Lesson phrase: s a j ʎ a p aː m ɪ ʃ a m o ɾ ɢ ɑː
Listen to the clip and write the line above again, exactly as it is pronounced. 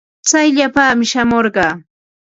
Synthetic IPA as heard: t͡s a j ʎ a p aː m ɪ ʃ a m o ɾ ɢ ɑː